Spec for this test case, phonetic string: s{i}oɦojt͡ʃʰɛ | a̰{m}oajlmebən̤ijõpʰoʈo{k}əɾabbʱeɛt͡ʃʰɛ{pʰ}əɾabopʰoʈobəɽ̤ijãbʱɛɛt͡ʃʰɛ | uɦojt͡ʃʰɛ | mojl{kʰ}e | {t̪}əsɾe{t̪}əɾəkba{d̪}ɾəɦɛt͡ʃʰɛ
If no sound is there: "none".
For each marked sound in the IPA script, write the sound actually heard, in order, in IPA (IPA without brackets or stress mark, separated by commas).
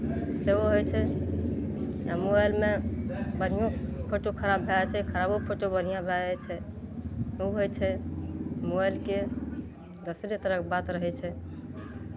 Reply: e, m, kʰ, kʰ, k, d̪, t̪, t̪